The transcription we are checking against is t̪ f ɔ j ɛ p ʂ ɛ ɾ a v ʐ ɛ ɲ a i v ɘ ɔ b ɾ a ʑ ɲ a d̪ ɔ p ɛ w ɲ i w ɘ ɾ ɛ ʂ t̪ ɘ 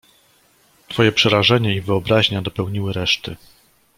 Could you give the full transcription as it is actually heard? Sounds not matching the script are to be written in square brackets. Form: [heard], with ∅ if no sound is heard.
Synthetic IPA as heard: t̪ f ɔ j ɛ p ʂ ɛ ɾ a [∅] ʐ ɛ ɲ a i v ɘ ɔ b ɾ a ʑ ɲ a d̪ ɔ p ɛ w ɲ i w ɘ ɾ ɛ ʂ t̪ ɘ